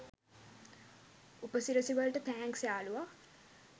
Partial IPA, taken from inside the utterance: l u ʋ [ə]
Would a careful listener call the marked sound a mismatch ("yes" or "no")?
yes